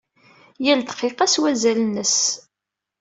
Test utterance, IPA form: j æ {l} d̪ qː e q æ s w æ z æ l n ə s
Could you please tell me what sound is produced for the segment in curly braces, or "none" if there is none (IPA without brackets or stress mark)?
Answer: l